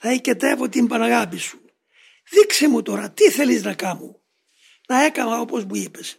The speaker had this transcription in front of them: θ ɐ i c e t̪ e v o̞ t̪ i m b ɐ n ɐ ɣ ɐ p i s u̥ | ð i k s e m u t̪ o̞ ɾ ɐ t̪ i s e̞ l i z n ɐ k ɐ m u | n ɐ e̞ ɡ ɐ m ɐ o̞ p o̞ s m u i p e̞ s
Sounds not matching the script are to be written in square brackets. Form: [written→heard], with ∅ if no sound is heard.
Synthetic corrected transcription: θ ɐ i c e t̪ e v o̞ t̪ i m b ɐ n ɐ ɣ ɐ p i s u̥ | ð i k s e m u t̪ o̞ ɾ ɐ t̪ i [s→θ] e̞ l i z n ɐ k ɐ m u | n ɐ e̞ [ɡ→k] ɐ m ɐ o̞ p o̞ [s→z] m u i p e̞ s